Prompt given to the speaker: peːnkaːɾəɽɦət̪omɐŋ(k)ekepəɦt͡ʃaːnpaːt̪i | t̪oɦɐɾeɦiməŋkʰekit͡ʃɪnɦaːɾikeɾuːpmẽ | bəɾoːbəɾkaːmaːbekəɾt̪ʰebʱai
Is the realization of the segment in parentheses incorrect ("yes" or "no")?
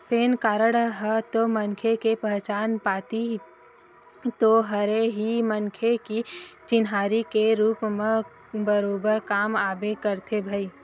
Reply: yes